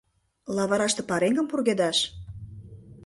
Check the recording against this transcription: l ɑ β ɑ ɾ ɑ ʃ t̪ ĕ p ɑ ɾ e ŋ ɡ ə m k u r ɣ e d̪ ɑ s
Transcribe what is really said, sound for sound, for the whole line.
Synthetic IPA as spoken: l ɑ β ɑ ɾ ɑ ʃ t̪ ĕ p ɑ ɾ e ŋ ɡ ə m p u r ɣ e d̪ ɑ ʃ